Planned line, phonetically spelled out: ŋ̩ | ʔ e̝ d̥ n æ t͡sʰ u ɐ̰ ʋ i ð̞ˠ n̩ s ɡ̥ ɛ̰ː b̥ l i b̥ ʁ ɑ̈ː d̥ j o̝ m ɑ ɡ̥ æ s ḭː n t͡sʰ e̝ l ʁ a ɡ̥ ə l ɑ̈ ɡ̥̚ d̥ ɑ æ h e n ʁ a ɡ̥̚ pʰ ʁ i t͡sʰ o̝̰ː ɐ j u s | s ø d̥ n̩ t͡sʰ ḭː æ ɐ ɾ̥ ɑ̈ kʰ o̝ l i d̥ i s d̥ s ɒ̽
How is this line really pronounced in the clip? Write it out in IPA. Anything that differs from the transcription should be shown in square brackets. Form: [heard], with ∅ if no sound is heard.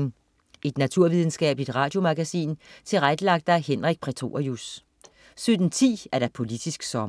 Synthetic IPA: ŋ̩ | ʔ e̝ d̥ n æ t͡sʰ u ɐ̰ ʋ i ð̞ˠ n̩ s ɡ̥ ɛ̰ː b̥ l i [d̥] ʁ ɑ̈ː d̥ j o̝ m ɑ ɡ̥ æ s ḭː n t͡sʰ e̝ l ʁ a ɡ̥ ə l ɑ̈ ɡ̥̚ d̥ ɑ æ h e n ʁ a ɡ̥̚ pʰ ʁ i t͡sʰ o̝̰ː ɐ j u s | s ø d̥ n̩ t͡sʰ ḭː æ ɐ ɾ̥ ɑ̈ [pʰ] o̝ l i d̥ i s [ɡ̥] s ɒ̽

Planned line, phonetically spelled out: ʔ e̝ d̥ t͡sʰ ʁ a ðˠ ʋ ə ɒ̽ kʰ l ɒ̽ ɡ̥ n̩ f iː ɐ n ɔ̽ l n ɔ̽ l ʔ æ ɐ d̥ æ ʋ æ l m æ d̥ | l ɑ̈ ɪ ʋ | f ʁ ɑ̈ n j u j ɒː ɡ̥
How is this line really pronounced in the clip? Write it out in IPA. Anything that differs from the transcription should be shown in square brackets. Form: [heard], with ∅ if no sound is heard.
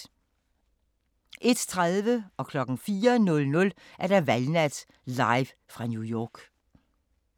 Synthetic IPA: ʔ e̝ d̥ t͡sʰ ʁ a ðˠ ʋ ə ɒ̽ kʰ l ɒ̽ ɡ̥ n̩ f iː ɐ n ɔ̽ l n ɔ̽ l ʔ æ ɐ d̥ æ ʋ æ l [n] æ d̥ | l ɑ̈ ɪ ʋ | f ʁ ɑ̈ n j u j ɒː ɡ̥

